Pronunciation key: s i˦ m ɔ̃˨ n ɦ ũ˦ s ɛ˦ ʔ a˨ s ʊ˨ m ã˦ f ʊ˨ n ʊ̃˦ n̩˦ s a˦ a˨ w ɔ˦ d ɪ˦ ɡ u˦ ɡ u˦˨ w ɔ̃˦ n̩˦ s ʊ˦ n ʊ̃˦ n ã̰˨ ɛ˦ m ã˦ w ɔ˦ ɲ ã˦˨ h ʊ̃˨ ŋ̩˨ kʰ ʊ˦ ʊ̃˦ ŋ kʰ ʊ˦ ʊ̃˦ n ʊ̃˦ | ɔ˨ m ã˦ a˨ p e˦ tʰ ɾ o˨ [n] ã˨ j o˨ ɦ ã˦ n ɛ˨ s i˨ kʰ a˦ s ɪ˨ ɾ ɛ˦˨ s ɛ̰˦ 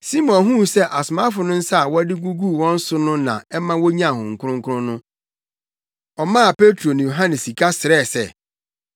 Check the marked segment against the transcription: correct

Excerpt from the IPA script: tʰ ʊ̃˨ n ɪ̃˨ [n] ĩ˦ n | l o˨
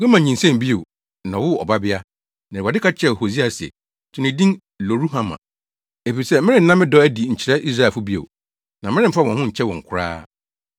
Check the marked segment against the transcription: incorrect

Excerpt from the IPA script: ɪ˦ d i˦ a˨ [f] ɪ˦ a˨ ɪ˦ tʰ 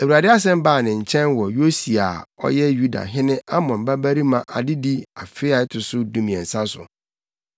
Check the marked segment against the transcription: correct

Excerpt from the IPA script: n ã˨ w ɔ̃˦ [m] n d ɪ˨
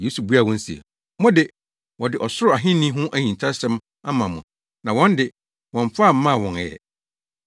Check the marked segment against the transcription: incorrect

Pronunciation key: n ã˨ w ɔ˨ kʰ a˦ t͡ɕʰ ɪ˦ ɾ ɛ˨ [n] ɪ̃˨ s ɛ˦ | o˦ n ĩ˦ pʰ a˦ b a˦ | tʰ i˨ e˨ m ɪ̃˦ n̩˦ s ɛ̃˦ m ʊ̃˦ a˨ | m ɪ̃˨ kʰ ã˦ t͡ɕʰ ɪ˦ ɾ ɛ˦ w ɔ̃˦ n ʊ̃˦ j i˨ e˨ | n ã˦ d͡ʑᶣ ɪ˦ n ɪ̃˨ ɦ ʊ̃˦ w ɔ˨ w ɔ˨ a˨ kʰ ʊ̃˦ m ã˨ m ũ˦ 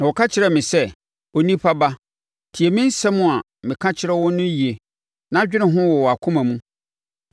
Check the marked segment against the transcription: incorrect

